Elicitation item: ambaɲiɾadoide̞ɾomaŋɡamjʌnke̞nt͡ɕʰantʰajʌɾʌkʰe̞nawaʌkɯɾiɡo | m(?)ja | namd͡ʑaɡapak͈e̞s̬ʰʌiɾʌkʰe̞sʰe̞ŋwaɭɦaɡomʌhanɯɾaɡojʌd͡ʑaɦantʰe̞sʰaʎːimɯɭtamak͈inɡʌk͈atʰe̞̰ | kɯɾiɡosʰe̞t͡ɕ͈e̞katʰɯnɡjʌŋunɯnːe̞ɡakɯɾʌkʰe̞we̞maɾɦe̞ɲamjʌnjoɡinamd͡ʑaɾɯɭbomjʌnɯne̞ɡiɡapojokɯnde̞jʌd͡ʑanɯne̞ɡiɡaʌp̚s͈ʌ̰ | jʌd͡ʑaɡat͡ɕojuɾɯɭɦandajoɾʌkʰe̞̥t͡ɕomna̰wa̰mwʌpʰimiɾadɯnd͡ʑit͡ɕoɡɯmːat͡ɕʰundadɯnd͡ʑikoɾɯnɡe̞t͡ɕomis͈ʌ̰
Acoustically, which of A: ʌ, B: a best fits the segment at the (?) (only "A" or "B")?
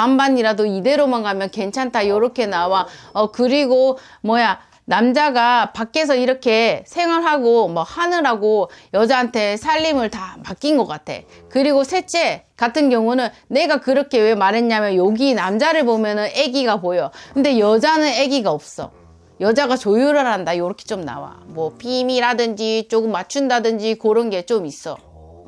A